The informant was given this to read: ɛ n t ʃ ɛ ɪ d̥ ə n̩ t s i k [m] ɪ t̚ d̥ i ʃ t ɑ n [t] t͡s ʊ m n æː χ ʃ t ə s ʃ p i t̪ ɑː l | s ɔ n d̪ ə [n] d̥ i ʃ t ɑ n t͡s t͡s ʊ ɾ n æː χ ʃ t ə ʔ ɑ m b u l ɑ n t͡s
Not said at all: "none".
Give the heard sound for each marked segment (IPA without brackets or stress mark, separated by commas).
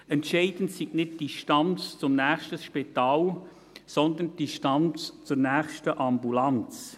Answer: n, t͡s, n